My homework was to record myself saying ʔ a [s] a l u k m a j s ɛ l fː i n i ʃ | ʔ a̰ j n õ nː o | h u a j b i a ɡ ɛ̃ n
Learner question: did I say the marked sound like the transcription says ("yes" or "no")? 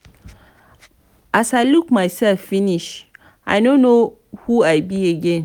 yes